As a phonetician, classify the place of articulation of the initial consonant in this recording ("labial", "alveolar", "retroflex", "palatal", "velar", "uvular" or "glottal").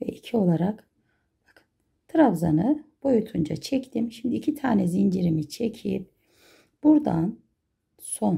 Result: labial